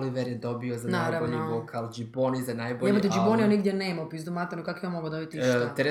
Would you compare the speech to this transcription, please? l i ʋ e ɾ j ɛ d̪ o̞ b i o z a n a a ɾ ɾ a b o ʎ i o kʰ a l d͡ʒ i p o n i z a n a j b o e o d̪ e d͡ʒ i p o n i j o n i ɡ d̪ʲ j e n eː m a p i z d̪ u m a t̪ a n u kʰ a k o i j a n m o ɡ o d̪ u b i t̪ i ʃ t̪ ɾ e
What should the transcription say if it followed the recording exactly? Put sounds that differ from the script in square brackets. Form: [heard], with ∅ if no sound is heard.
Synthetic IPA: l i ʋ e ɾ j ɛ d̪ o̞ b i o z a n a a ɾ ɾ a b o ʎ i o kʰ a l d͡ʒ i p o n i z a n a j b o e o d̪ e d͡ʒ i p o n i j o n i ɡ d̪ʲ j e n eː m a p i z d̪ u m a t̪ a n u [k] a k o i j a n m o ɡ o d̪ [o] b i t̪ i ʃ t̪ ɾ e